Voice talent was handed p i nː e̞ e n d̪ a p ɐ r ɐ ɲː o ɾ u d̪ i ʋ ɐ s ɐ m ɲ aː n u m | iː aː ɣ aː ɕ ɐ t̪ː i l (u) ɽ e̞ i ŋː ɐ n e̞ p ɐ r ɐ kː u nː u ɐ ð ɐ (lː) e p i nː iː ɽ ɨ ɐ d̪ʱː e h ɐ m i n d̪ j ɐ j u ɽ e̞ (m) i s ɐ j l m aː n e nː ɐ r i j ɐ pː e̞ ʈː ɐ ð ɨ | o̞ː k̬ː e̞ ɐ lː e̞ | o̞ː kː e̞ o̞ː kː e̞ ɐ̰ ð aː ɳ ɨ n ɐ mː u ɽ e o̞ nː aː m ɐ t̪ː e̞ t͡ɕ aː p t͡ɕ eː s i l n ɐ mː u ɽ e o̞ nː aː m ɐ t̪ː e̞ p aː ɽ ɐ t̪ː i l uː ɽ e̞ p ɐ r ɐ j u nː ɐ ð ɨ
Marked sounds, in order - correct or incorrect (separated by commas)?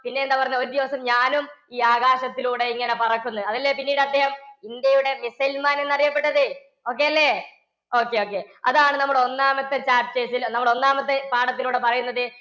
incorrect, correct, correct